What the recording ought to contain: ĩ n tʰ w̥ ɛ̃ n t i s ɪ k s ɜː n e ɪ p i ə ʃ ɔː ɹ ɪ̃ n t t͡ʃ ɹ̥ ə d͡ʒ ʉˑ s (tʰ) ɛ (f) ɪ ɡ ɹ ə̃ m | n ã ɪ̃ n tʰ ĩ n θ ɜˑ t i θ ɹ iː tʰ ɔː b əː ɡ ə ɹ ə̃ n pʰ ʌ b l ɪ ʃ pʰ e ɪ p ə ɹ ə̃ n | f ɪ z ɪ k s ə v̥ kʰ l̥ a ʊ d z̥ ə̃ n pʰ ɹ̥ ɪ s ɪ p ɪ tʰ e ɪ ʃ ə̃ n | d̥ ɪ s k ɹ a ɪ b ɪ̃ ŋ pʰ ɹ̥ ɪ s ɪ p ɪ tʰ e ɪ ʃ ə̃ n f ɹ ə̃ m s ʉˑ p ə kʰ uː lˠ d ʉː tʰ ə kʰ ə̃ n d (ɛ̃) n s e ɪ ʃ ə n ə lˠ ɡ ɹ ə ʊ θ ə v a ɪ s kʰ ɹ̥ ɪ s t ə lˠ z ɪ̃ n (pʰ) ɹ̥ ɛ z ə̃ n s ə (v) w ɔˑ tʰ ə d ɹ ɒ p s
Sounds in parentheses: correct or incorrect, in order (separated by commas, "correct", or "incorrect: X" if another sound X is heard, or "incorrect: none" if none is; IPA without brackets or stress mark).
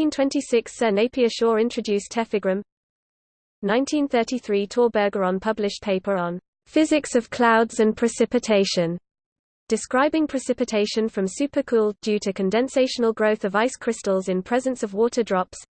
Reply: correct, correct, correct, correct, correct